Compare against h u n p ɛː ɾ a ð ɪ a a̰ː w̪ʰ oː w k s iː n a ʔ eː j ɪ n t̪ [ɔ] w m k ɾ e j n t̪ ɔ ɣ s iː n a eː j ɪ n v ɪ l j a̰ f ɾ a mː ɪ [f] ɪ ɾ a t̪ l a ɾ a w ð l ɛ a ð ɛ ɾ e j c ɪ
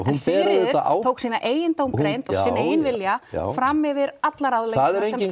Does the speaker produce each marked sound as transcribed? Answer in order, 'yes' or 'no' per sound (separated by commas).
no, no